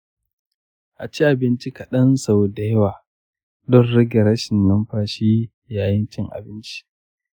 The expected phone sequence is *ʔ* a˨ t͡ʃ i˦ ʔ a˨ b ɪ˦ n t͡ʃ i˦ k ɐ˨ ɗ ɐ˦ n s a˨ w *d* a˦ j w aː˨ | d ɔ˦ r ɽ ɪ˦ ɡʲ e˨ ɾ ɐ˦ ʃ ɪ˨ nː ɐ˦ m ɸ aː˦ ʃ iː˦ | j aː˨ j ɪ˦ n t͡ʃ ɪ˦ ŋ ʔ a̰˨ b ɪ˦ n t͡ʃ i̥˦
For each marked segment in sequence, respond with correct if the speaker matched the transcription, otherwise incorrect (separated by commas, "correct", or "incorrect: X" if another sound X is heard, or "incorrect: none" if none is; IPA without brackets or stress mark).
correct, correct